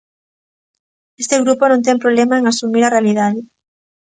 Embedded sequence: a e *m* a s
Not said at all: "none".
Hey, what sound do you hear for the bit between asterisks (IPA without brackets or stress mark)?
ŋ